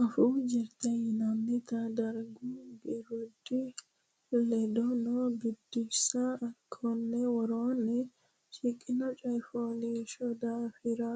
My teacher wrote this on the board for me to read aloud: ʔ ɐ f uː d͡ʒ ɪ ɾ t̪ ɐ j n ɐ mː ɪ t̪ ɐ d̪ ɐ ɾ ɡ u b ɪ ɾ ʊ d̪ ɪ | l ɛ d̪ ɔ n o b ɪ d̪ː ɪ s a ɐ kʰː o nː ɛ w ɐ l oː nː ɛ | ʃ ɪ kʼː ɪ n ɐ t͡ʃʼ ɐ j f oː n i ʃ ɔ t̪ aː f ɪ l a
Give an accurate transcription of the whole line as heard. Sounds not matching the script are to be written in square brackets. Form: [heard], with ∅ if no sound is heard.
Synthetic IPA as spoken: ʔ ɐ f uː d͡ʒ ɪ ɾ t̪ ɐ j n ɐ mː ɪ t̪ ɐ d̪ ɐ ɾ ɡ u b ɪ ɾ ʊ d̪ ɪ | l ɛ d̪ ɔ n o b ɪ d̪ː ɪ s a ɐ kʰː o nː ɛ w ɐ [ɾ] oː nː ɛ | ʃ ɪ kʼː ɪ n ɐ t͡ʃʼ ɐ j f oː n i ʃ ɔ [d̪] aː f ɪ [ɾ] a